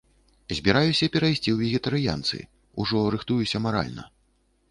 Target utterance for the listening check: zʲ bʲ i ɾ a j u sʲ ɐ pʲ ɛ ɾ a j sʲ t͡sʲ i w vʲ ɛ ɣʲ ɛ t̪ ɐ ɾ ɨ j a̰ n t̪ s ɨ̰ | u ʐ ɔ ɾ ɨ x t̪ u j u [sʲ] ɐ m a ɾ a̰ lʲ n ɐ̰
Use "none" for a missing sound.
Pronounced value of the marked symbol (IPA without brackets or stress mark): sʲ